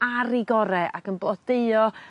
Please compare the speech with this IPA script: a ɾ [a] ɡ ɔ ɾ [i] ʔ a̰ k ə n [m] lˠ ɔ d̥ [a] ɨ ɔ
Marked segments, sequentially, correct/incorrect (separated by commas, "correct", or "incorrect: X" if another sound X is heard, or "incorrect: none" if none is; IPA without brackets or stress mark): incorrect: i, incorrect: ɛ, incorrect: b, incorrect: e